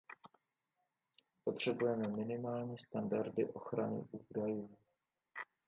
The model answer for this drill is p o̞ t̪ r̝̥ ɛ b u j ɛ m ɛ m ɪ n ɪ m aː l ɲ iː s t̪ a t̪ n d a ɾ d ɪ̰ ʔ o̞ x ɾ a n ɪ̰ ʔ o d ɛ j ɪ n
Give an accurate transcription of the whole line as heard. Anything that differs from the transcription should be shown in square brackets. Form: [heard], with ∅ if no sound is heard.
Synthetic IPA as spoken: p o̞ t̪ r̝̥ ɛ b u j ɛ m ɛ m ɪ n ɪ m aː l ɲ iː s t̪ a [∅] n d a ɾ d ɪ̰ ʔ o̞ x ɾ a n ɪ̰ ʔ [u] d [a] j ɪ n